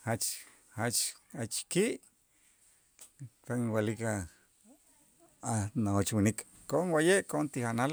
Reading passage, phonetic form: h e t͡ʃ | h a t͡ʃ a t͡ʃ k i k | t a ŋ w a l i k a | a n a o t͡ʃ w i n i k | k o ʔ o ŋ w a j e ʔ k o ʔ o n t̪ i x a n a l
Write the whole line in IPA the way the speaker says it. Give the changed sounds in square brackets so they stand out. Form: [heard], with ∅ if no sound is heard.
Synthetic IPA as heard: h [a] t͡ʃ | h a t͡ʃ a t͡ʃ k i [ʔ] | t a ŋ w a l i k a | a n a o t͡ʃ w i n i k | k o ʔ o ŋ w a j e ʔ k o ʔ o n t̪ i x a n a l